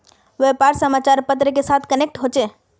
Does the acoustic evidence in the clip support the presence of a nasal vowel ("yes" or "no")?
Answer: no